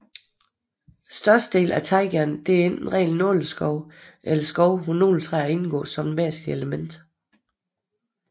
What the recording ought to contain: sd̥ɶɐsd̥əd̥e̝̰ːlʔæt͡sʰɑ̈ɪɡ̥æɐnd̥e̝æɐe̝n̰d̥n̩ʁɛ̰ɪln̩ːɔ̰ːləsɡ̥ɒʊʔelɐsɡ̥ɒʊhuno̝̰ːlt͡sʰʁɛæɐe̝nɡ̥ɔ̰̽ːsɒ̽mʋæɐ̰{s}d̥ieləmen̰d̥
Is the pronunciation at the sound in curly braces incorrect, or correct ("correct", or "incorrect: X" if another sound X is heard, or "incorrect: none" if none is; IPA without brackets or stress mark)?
correct